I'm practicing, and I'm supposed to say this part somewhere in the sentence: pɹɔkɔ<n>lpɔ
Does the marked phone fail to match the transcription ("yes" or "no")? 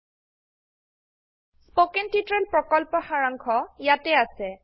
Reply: yes